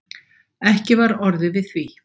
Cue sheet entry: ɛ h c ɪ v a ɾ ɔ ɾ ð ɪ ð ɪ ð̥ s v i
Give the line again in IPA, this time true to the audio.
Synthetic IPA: ɛ h c ɪ v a ɾ ɔ ɾ ð ɪ v ɪ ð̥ θ v i